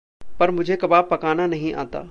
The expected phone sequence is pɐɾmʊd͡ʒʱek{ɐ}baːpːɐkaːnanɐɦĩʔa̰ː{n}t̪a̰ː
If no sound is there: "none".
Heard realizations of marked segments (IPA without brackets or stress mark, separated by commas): ɐ, none